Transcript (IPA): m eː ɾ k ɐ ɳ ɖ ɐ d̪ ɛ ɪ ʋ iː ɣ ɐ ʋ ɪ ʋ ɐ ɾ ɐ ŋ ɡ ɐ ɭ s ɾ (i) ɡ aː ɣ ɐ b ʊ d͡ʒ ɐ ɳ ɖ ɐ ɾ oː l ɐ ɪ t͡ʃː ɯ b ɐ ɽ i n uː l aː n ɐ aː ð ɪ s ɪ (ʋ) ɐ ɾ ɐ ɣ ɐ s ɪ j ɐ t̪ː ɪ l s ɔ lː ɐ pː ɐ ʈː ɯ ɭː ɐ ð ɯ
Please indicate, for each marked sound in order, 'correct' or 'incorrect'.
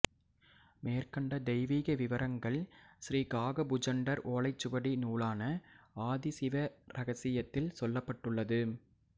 incorrect: iː, correct

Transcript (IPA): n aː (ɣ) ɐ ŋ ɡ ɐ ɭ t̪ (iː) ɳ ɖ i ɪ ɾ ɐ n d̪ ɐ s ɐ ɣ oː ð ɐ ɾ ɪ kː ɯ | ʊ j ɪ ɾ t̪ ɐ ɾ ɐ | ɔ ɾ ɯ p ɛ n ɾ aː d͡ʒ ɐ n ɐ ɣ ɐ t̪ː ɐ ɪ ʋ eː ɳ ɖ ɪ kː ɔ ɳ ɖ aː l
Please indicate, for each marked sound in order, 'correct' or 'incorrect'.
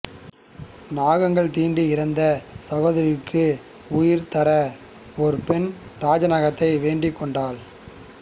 correct, correct

